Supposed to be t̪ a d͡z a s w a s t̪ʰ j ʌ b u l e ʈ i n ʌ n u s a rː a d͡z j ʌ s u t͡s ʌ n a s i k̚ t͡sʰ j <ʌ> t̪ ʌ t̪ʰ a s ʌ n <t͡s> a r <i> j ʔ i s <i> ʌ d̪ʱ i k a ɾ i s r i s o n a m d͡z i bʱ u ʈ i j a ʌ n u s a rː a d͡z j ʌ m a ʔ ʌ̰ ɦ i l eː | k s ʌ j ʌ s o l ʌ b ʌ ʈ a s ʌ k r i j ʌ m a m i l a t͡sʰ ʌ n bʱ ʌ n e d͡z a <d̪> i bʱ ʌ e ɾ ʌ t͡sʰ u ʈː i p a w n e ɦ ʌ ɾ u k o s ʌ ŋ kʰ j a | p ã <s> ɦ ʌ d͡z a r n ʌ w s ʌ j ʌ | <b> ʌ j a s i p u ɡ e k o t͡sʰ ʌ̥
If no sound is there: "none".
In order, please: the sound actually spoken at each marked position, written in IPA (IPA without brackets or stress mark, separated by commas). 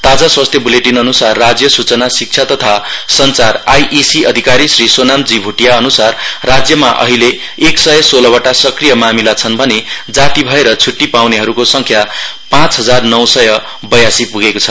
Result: a, t͡s, a, i, t̪, t͡s, b